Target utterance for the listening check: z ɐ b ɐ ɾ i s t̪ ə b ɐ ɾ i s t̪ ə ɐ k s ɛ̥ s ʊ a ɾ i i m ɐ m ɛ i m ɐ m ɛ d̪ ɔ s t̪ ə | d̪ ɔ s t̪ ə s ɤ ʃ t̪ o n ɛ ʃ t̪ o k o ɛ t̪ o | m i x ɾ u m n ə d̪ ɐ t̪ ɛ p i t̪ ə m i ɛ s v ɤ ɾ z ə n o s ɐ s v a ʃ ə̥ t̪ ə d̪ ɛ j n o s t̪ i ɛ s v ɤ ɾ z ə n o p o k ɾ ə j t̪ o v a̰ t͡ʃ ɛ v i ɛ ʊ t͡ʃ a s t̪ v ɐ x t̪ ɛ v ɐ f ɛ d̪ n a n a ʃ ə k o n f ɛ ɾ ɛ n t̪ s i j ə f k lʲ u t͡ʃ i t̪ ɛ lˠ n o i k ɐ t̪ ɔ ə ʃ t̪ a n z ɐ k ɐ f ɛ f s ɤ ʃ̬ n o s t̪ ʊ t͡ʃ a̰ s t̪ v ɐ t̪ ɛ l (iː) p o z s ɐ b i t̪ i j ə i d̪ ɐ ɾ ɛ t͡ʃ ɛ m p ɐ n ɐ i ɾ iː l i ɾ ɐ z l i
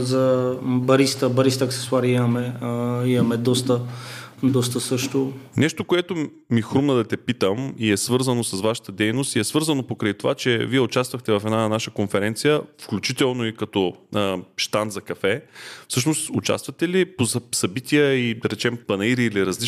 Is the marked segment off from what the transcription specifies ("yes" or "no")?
yes